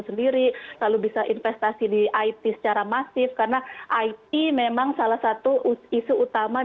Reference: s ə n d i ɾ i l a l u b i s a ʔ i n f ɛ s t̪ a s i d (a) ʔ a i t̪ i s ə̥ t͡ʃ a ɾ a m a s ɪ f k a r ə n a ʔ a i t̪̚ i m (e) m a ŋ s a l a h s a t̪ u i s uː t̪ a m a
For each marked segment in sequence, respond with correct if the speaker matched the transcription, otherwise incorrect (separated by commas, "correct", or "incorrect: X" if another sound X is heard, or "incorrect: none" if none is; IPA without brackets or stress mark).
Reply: incorrect: i, correct